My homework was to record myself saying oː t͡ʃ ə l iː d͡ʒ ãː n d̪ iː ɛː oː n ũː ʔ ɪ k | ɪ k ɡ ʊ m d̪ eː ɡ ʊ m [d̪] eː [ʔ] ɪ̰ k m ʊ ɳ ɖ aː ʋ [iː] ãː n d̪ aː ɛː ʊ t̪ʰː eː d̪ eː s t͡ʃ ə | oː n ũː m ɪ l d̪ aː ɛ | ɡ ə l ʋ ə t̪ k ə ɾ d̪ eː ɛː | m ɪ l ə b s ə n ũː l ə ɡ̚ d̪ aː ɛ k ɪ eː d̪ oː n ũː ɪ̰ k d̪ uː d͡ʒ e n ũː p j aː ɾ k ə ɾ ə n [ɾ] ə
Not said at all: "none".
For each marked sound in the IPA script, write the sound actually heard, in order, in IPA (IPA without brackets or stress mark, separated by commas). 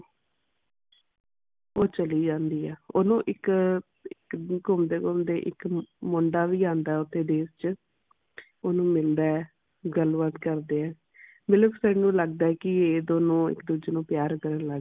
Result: d̪, ʔ, iː, l